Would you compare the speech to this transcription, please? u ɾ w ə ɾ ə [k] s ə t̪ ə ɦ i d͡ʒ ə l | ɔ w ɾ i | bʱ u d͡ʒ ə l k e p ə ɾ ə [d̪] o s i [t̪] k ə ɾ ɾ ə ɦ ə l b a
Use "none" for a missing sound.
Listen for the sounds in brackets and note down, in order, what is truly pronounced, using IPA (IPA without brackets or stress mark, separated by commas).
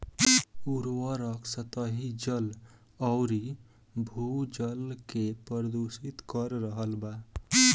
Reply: k, d̪, t̪